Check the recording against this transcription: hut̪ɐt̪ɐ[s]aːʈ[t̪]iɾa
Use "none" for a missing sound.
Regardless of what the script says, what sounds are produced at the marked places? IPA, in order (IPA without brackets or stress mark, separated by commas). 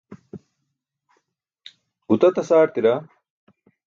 s, t̪